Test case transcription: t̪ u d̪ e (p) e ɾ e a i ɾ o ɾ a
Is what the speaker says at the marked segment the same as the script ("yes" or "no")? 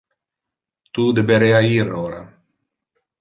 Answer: no